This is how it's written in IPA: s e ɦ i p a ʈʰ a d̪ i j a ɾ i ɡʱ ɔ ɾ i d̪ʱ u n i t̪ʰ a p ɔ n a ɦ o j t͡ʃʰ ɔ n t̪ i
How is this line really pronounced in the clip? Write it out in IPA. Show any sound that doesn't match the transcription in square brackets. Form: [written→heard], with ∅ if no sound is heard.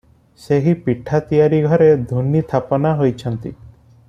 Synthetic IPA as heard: s e ɦ i p [a→i] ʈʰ a [d̪→t̪] i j a ɾ i ɡʱ ɔ ɾ [i→e] d̪ʱ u n i t̪ʰ a p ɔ n a ɦ o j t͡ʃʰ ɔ n t̪ i